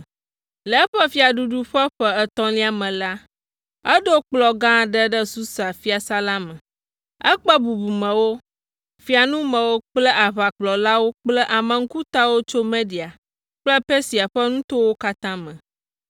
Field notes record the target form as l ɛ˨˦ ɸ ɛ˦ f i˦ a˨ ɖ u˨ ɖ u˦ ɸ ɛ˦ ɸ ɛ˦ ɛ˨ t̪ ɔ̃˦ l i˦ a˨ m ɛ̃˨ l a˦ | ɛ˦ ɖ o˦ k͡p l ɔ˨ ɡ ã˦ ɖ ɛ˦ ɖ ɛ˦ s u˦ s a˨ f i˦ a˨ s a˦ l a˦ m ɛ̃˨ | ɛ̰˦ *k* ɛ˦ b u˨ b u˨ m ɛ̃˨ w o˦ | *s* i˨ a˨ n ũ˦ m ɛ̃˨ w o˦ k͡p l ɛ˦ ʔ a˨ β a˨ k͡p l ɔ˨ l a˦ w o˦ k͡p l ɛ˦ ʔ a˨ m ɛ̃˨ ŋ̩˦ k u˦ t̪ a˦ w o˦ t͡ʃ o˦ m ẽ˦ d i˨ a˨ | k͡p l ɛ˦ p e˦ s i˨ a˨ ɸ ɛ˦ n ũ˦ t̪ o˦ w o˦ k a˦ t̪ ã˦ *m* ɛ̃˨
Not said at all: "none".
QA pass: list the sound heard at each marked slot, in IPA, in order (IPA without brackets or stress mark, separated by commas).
k͡p, f, m